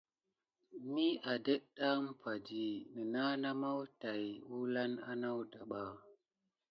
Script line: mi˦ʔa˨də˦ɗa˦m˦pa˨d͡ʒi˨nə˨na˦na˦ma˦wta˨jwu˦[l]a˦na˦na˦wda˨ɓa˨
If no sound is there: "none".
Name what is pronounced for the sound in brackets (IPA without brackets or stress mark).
l